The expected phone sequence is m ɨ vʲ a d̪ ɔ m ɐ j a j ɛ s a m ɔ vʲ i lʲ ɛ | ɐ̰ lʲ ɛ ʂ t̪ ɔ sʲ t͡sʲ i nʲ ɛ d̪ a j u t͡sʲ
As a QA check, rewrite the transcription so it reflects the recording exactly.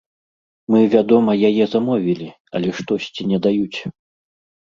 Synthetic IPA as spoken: m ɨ vʲ a d̪ ɔ m ɐ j a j ɛ z a m ɔ vʲ i lʲ i | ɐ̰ lʲ ɛ ʂ t̪ ɔ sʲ t͡sʲ i nʲ ɛ d̪ a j u t͡sʲ